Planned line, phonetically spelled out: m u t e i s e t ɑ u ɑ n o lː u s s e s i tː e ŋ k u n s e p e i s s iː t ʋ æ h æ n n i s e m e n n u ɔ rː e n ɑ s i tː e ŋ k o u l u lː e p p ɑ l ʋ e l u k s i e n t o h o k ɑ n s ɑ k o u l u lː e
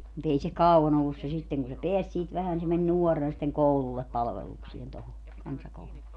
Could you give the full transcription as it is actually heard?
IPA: m u t e i s e k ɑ u ɑ n o lː u s s e s i tː e ŋ k u n s e p e æ s s iː t ʋ æ h æ n n i s e m e n n u ɔ rː e n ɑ s i tː e ŋ k o u l u lː e p p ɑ l ʋ e l u k s i e n t o h o k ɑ n s ɑ k o u l u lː e

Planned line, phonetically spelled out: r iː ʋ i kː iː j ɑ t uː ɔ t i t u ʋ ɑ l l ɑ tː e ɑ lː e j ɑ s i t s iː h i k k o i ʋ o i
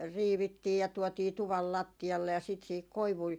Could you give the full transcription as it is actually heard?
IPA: r iː ʋ i tː iː j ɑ t u ɔ t iː t u ʋ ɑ l l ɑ tː i ɑ lː e j ɑ s i t s iː h i k k o i ʋ u i

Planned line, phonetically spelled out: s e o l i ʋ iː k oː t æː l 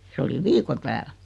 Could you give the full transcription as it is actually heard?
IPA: s e o l i ʋ iː k o t æː l

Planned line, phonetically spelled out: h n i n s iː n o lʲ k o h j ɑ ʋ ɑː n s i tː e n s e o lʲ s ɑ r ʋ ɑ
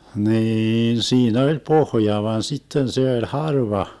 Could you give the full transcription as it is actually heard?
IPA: h n iː n s iː n o lʲ p o h j ɑ ʋ ɑ n s i tː e n s e o lʲ h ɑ r ʋ ɑ

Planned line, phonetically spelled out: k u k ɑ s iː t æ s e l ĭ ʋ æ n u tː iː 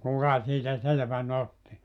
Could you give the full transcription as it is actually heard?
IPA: k u k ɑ s iː t æ s e l ĕ ʋ æ n o tː i

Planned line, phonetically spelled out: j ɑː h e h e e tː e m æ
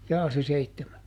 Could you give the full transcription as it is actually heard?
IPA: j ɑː s e s e i tː e m æ

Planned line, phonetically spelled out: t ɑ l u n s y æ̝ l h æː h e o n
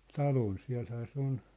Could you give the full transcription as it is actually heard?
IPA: t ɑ l o n s i æ̝ l h æː s e o n

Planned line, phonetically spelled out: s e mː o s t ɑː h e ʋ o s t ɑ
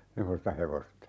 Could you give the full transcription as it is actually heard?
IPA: s e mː o s t ɑ h e ʋ o s t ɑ

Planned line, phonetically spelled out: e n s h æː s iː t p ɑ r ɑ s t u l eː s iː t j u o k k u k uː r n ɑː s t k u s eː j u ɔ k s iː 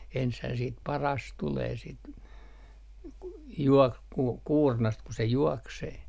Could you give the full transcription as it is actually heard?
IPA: e n s h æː s iː t p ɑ r ɑ s t u l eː s i t j u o k k u k uː r n ɑ s t k u s e j u ɔ k s eː

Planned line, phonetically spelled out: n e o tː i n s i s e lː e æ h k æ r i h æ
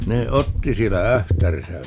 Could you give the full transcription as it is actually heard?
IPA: n e o tː i s i e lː æ æ h t æ r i s æ

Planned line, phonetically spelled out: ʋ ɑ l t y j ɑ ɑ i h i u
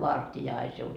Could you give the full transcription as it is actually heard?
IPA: ʋ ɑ r t i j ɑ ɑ i s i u

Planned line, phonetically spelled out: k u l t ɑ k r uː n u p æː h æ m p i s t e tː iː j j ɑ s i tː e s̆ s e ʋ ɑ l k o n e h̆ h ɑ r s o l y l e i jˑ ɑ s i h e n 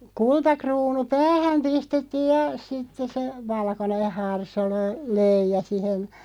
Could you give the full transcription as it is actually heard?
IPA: k u l t ɑ k r uː n u p æː h æ m p i s t e tː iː j j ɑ s i tː e s̆ s e ʋ ɑ l k o n e h̆ h ɑ r s o l ø l ø i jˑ ɑ s i h e n

